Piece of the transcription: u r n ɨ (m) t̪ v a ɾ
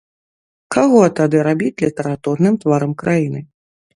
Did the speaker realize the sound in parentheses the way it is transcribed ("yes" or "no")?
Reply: yes